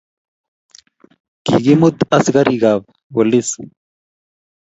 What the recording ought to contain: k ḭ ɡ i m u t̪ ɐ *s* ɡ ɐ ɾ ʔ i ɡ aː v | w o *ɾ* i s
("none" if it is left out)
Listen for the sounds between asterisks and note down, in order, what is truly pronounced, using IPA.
s, l

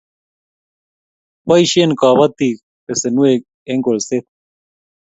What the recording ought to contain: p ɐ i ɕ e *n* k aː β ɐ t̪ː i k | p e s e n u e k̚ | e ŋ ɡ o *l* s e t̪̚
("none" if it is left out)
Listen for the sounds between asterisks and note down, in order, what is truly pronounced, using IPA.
n, l

